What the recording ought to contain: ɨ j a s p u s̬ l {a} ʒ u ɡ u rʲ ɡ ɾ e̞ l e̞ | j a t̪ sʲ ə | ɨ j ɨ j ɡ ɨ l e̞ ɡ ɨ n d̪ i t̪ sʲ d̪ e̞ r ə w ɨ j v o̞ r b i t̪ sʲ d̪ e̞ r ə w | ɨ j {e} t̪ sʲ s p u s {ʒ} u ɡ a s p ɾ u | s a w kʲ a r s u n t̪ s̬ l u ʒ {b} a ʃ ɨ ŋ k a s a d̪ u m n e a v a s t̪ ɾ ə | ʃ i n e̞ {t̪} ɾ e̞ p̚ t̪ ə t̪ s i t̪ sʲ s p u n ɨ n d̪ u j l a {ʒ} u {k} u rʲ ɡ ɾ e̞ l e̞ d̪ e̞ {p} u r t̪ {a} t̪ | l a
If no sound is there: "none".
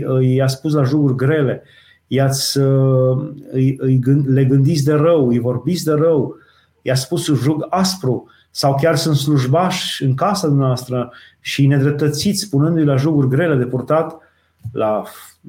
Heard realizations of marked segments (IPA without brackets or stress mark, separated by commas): a, a, ʒ, b, d̪, ʒ, ɡ, p, a